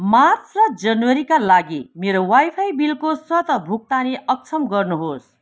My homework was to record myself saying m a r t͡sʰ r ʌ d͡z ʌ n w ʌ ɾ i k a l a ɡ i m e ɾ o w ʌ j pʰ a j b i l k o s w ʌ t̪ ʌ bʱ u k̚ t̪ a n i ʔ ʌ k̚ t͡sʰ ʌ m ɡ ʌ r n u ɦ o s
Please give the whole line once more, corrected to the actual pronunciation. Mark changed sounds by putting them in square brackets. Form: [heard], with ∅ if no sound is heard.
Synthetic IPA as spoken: m a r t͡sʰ r ʌ d͡z ʌ n w ʌ ɾ i k a l a ɡ i m e ɾ o w [a] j pʰ a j b i l k o s w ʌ t̪ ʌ bʱ u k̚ t̪ a n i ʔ ʌ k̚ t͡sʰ ʌ m ɡ ʌ r n u ɦ o s